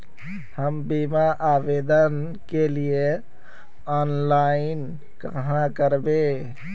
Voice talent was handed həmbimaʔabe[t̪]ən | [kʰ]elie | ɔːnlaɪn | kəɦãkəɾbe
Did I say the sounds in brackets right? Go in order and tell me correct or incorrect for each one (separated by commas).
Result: incorrect, incorrect